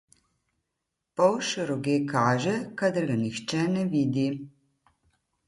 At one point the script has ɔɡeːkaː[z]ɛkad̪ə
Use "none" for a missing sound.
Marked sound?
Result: ʒ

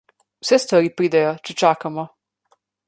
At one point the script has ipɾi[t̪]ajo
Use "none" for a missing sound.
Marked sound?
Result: d̪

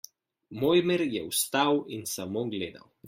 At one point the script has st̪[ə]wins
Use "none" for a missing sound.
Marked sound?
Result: a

